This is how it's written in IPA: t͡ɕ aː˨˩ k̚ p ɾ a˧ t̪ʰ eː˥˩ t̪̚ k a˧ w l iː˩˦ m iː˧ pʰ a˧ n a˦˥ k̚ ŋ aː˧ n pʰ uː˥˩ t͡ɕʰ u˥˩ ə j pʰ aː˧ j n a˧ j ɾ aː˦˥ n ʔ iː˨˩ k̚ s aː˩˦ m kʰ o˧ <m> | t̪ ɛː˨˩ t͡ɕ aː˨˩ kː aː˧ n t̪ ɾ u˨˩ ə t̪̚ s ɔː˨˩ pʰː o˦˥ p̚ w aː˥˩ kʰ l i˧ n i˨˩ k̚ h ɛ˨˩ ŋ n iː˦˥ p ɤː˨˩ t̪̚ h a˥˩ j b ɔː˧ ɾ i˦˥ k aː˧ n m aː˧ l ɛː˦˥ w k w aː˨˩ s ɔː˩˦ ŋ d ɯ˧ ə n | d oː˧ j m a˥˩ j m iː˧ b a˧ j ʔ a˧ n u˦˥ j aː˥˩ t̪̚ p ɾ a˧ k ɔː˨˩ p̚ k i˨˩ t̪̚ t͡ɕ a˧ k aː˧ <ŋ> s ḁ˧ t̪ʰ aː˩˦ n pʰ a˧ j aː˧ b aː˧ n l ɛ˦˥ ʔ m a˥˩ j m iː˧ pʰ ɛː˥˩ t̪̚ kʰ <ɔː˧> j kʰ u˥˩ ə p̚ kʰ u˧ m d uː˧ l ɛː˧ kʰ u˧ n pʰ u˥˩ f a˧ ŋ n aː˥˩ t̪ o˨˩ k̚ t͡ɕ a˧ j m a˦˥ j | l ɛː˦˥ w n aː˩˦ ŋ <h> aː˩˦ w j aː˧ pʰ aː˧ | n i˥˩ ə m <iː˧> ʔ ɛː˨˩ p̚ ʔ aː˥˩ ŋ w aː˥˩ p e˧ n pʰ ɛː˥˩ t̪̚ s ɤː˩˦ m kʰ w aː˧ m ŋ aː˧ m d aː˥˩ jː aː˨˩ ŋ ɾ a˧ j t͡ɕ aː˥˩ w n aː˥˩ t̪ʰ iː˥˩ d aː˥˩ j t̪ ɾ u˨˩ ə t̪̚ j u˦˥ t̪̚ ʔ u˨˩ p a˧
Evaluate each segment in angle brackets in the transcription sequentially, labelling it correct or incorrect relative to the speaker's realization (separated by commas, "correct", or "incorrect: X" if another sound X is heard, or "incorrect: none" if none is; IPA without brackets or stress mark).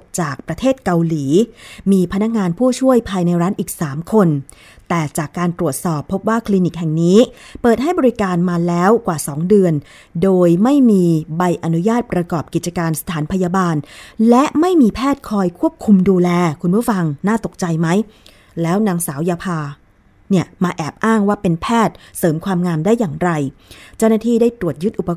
incorrect: n, incorrect: n, correct, incorrect: s, incorrect: aː˧